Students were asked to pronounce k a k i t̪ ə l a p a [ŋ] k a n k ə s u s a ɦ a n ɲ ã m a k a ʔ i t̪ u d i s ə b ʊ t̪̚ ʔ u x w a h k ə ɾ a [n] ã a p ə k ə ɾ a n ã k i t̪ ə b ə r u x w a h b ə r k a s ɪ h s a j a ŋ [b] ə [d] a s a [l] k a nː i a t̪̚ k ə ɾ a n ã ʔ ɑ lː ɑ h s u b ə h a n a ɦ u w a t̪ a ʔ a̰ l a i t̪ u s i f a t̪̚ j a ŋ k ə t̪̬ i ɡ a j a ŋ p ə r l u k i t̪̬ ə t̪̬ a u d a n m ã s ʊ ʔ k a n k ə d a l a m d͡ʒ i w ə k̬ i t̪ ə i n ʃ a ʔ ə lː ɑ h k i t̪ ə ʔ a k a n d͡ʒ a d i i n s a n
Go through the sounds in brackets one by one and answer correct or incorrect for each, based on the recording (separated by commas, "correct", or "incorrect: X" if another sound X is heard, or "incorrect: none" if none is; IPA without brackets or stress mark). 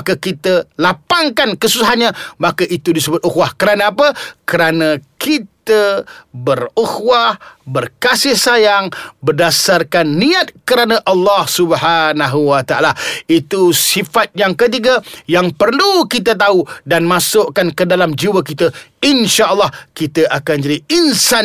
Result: correct, correct, correct, correct, incorrect: r